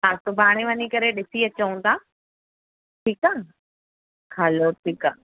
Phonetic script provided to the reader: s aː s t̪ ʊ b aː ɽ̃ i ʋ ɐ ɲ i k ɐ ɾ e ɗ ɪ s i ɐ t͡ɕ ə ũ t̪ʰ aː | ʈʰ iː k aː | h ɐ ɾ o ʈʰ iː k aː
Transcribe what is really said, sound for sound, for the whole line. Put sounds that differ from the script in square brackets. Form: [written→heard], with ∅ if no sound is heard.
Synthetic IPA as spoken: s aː s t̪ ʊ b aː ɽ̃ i ʋ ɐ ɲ i k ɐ ɾ e ɗ ɪ s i ɐ t͡ɕ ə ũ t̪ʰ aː | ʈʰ iː k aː | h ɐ [ɾ→l] o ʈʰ iː k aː